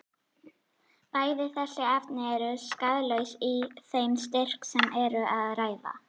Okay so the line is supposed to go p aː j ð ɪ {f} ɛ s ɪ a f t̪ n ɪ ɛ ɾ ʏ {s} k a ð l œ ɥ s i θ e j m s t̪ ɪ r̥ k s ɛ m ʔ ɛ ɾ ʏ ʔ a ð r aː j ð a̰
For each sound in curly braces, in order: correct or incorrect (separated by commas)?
incorrect, correct